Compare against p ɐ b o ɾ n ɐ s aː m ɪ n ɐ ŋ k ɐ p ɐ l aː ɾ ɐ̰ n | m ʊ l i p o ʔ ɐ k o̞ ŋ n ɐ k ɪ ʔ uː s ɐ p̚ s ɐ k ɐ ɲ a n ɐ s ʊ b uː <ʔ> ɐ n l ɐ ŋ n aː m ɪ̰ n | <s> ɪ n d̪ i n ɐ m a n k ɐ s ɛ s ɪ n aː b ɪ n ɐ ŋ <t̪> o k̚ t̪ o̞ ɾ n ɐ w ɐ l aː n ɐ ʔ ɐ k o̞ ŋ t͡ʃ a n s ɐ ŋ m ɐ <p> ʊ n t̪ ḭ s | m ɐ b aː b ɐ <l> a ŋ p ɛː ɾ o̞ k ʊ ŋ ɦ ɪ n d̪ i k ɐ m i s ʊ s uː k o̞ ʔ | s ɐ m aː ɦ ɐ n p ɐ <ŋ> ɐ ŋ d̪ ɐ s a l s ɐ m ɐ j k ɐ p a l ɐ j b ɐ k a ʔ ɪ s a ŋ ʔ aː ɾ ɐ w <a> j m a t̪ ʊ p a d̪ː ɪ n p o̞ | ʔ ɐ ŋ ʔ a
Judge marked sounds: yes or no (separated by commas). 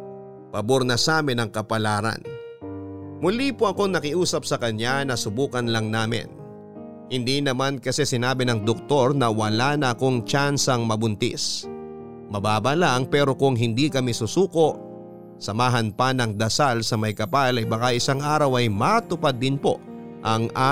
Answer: no, no, no, no, yes, no, no